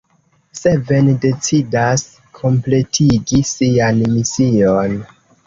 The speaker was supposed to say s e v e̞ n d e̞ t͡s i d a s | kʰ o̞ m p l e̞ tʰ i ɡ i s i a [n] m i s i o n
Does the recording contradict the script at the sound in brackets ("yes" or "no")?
no